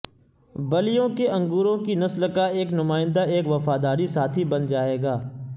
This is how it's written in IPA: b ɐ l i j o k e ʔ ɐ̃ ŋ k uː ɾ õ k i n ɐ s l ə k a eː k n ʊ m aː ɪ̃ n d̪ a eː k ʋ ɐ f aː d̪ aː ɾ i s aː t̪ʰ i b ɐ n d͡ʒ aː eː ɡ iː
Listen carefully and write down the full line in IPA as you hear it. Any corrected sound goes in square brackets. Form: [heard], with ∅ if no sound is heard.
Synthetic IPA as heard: b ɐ l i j [õ] k e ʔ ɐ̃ ŋ [ɡ] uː ɾ õ k i n ɐ s l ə k a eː k n ʊ m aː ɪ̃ n d̪ a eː k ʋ ɐ f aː d̪ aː ɾ i s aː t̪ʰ i b ɐ n d͡ʒ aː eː ɡ [aː]